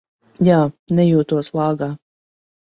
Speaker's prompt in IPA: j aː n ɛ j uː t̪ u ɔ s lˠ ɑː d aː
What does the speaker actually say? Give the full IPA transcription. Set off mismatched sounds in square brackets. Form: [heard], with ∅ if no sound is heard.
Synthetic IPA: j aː n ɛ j uː t̪ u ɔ s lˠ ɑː [ɡ] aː